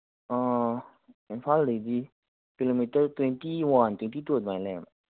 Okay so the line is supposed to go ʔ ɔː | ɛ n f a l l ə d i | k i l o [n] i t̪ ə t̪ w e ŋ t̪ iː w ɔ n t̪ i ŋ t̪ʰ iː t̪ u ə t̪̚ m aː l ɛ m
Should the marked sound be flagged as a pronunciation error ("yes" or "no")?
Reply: yes